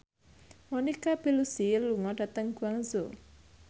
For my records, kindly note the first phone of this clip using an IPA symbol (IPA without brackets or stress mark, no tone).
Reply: m